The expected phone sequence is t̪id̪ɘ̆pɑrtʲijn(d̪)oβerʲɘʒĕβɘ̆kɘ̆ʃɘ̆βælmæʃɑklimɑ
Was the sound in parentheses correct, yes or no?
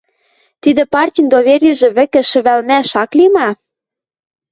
yes